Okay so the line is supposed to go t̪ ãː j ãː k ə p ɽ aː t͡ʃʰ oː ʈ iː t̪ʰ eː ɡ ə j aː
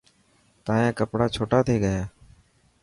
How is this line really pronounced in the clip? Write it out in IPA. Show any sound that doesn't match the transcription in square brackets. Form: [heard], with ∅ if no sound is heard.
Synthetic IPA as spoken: t̪ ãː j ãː k ə p ɽ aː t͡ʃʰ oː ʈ [aː] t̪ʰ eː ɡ ə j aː

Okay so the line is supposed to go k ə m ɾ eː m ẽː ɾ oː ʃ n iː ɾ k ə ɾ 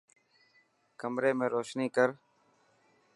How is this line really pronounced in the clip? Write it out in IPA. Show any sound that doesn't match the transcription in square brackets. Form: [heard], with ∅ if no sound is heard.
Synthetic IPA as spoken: k ə m ɾ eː m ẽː ɾ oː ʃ n iː [∅] k ə ɾ

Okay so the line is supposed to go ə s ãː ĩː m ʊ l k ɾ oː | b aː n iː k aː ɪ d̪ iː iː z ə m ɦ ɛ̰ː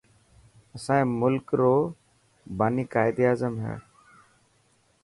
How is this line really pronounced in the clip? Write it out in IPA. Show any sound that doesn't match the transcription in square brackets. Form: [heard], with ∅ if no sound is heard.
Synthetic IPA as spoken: ə s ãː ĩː m ʊ l k ɾ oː | b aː n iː k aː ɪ d̪ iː [aː] z ə m ɦ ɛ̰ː

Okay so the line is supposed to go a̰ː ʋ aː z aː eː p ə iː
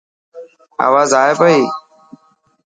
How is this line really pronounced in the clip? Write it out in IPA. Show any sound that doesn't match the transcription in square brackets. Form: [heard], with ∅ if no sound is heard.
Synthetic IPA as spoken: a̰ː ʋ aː z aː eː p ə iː

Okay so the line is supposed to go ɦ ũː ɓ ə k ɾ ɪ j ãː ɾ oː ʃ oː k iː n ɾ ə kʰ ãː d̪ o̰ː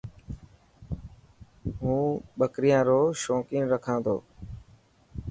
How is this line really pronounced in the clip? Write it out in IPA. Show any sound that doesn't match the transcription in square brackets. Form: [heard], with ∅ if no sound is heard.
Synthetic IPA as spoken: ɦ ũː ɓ ə k ɾ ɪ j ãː ɾ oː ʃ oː k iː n ɾ ə kʰ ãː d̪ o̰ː

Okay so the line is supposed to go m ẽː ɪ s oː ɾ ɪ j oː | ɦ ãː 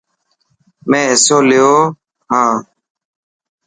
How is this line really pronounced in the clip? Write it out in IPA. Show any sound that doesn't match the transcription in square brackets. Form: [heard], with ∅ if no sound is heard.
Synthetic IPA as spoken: m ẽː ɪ s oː [l] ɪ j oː | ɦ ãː

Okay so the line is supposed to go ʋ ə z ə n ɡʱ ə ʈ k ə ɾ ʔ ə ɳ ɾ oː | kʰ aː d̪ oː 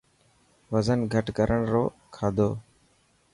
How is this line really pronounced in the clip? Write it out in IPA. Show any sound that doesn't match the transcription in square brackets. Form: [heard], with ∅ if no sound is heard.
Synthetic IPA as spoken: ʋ ə z ə n ɡʱ ə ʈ k ə ɾ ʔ ə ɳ ɾ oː | kʰ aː d̪ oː

